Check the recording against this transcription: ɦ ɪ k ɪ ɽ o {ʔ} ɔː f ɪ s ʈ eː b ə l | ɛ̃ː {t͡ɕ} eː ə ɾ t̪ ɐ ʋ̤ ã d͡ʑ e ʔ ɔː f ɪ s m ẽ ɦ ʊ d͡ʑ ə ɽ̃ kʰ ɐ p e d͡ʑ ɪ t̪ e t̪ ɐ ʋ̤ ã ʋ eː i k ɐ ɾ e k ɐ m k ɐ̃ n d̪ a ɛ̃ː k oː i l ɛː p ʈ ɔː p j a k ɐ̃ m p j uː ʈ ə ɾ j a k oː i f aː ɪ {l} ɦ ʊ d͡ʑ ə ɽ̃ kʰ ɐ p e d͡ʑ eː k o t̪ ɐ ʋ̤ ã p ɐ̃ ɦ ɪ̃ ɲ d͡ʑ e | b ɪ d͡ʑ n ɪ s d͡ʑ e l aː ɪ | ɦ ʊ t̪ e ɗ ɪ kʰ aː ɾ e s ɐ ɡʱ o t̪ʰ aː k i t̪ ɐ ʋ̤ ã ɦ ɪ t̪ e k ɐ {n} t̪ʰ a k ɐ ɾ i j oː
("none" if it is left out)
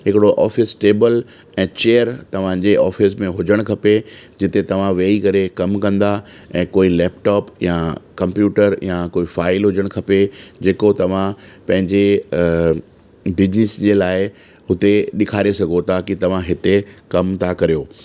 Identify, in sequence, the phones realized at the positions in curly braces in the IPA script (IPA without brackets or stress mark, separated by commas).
ʔ, t͡ɕ, l, m